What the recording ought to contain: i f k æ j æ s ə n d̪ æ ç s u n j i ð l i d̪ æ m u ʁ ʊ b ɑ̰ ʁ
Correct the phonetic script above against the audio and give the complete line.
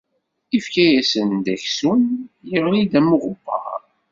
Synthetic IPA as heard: i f k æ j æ s ə n d̪ æ ç s u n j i ʁ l i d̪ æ m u ʁ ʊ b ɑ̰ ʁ